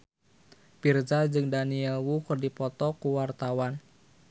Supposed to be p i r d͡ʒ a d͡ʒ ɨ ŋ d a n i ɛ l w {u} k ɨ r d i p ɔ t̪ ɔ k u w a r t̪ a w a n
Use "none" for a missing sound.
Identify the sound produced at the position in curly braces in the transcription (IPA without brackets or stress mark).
u